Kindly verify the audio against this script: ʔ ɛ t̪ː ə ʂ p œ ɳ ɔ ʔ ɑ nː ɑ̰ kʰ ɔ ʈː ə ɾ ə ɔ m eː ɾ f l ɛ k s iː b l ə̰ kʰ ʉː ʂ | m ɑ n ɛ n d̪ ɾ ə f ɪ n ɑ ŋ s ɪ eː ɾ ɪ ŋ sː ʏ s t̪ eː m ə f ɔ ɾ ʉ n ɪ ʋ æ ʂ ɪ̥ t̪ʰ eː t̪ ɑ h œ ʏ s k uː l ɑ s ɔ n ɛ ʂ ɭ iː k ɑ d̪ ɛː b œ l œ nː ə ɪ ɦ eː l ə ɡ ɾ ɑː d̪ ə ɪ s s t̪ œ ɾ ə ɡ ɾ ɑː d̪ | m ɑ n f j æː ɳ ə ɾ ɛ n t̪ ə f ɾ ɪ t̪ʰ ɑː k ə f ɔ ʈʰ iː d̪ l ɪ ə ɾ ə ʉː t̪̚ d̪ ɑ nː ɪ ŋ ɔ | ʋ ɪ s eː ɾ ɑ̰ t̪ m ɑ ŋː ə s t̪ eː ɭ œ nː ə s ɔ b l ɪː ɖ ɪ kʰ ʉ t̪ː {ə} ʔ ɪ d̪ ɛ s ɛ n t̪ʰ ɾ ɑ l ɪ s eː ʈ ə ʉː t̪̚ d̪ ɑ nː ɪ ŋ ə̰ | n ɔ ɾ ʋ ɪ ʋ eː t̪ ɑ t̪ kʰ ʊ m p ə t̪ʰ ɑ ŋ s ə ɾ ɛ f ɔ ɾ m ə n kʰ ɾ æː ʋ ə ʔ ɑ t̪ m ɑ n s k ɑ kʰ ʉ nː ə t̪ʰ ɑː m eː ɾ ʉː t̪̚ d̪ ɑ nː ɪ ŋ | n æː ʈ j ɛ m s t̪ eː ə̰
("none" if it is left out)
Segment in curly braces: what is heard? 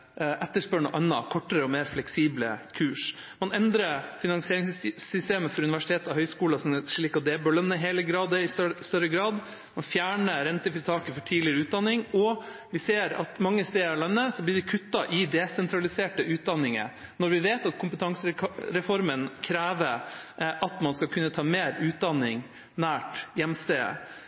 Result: ɑ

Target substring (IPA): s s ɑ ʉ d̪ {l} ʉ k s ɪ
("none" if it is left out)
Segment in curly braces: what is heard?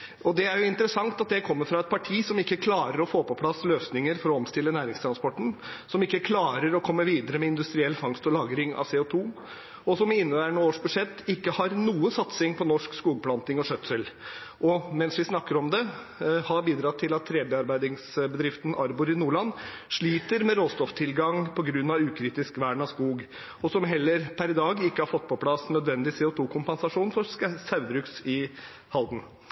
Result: ɾ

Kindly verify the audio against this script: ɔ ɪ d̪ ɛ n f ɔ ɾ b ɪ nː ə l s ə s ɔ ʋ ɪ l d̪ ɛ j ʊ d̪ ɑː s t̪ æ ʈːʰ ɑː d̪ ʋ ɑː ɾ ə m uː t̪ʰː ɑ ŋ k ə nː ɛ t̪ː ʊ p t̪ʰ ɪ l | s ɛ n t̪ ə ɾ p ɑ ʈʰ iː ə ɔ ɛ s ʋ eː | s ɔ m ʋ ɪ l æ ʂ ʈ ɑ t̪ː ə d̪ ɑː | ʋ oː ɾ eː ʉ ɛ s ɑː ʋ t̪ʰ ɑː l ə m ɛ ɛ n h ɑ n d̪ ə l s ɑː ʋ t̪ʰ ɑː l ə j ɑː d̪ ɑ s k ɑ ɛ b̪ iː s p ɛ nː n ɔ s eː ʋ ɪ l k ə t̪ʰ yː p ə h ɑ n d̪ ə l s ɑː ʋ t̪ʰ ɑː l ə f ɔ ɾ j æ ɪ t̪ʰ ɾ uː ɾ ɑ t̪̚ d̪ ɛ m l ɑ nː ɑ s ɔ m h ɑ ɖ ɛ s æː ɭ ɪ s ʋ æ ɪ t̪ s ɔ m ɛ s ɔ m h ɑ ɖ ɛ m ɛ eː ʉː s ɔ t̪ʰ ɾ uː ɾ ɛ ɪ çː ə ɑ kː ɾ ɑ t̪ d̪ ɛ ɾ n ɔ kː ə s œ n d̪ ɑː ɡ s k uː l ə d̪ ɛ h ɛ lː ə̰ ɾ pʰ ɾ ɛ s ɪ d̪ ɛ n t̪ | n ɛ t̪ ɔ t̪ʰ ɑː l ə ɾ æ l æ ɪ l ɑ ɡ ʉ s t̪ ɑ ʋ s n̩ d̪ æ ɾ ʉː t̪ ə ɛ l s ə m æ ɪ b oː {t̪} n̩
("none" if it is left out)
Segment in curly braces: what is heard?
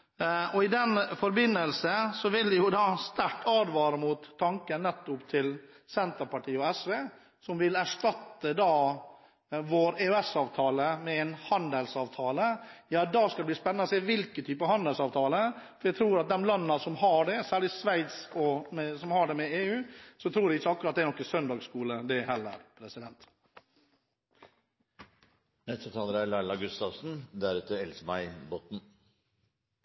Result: t̪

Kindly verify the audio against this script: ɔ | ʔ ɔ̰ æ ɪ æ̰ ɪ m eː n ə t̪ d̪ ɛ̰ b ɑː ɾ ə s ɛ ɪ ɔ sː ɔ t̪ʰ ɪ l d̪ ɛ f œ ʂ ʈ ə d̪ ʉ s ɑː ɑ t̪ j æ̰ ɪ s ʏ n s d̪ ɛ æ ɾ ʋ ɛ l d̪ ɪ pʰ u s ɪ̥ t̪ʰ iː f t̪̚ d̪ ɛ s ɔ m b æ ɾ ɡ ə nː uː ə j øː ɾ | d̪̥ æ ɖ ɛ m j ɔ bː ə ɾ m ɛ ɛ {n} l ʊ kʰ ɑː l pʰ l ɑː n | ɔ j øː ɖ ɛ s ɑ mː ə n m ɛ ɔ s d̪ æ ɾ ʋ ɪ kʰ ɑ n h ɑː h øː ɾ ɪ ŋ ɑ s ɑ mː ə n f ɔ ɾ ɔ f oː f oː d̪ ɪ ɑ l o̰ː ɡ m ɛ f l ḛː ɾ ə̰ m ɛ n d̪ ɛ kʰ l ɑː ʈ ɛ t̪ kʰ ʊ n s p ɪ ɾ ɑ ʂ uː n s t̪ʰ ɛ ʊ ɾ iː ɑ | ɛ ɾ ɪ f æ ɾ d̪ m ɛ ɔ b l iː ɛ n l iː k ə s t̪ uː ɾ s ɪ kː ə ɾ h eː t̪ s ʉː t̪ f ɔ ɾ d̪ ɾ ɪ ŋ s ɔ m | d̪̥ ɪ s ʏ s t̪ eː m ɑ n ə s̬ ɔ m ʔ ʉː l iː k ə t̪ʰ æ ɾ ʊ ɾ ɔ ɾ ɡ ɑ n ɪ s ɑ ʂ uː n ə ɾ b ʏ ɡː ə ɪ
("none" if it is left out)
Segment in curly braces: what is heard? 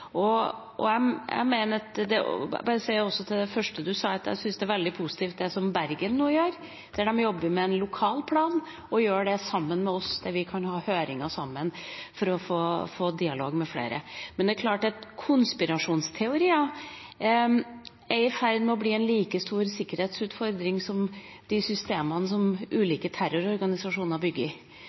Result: n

